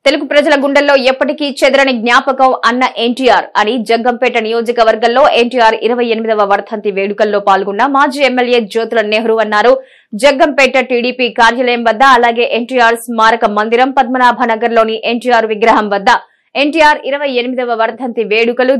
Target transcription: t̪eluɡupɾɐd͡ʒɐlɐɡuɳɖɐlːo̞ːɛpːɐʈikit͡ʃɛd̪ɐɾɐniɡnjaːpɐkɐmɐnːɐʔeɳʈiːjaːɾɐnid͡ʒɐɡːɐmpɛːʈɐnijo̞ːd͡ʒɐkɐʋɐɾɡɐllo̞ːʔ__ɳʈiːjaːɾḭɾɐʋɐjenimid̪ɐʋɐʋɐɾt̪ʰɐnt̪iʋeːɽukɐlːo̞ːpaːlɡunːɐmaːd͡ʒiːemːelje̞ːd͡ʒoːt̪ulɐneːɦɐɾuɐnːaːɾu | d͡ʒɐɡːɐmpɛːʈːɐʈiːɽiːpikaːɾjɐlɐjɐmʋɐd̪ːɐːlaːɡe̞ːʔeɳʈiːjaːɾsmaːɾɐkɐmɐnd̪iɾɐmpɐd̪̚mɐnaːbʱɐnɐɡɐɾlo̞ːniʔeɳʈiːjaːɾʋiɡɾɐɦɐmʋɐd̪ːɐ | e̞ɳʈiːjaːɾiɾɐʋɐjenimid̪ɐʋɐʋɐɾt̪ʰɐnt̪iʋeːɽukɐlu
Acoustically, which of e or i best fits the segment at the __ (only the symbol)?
e